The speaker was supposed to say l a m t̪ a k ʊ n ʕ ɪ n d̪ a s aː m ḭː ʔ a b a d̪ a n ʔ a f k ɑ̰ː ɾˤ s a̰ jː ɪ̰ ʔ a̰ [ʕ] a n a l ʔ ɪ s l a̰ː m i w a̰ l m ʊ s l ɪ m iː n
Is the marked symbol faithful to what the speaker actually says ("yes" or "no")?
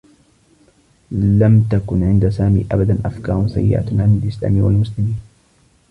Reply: yes